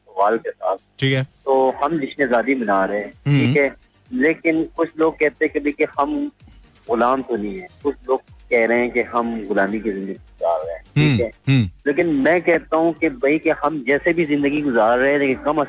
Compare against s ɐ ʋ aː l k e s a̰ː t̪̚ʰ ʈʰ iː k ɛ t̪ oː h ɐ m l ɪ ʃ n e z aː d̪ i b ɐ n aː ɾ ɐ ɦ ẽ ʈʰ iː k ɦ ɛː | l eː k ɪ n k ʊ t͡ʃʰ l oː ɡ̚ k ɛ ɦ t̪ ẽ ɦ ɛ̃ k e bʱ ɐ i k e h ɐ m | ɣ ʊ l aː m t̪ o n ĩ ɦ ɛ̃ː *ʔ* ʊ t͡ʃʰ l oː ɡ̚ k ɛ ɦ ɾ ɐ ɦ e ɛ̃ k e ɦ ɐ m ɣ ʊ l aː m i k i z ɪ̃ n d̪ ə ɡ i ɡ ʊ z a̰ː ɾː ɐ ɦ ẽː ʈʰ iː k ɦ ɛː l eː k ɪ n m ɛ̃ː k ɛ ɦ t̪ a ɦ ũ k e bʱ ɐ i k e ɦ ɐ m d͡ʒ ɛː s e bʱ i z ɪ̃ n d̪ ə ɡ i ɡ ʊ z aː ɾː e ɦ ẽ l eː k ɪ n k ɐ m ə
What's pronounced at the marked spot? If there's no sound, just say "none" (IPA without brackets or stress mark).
k